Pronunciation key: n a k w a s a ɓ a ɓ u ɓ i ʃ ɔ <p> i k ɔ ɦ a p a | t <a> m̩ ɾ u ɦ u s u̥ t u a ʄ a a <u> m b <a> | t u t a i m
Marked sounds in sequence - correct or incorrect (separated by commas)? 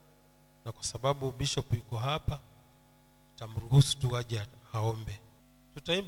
correct, correct, incorrect, incorrect